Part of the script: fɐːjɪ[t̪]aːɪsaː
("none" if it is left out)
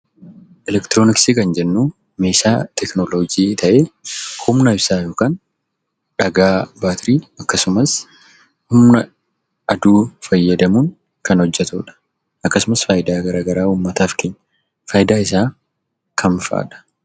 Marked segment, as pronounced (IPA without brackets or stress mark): d̪